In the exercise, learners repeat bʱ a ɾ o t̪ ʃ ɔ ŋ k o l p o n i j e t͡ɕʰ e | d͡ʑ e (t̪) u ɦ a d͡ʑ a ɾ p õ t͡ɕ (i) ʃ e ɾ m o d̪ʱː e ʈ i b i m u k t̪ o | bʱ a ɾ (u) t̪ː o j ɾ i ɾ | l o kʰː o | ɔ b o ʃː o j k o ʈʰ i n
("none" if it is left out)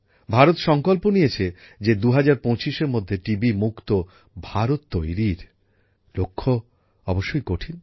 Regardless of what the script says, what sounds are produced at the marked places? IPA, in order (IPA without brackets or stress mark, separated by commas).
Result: d̪, i, o